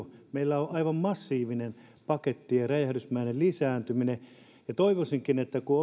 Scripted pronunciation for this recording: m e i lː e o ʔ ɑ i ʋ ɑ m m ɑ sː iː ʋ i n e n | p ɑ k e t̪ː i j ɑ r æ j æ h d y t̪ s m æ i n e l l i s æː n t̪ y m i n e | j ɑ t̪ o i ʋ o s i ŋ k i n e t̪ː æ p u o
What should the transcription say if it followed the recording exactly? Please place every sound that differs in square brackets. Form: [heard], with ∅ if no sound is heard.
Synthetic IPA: m e i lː [æ] o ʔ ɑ i ʋ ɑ m m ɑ sː iː ʋ i n e n | p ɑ k e t̪ː i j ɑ r æ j æ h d y [∅] s m æ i n e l l i s æː n t̪ y m i n e | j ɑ t̪ o i ʋ o s i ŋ k i n e t̪ː æ [k] u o